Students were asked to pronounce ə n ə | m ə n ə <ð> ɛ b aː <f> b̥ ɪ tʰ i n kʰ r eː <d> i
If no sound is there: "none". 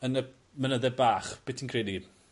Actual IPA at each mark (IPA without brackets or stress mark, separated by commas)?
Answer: ð, χ, d